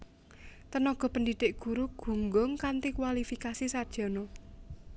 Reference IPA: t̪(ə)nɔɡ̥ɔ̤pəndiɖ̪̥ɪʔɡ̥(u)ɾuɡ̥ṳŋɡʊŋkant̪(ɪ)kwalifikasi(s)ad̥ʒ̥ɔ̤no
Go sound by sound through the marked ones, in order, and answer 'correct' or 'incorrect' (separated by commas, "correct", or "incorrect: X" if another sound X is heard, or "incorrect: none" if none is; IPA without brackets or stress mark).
correct, correct, incorrect: i, correct